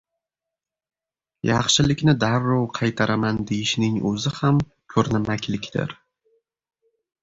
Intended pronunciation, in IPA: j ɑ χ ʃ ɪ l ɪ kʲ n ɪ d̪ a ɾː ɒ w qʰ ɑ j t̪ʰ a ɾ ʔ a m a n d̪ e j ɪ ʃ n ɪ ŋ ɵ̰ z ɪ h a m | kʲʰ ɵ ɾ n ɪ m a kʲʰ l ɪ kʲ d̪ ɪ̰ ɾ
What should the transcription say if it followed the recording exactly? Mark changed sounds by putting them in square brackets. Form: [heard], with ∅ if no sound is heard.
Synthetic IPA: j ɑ χ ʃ ɪ l ɪ kʲ n ɪ d̪ a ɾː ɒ w qʰ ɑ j t̪ʰ a ɾ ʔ a m a n d̪ e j ɪ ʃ n ɪ ŋ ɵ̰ z ɪ h a m | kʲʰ ɵ ɾ n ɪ m a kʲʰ l ɪ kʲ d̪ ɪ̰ ɾ